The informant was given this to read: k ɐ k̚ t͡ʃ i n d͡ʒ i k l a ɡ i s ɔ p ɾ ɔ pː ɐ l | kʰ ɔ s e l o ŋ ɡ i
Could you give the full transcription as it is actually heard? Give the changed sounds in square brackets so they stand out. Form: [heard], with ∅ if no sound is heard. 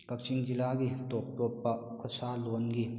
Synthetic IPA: k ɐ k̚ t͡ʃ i [ŋ] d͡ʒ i [∅] l a ɡ i [t] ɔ p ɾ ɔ pː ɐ [∅] | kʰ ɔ s [a] l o [n] ɡ i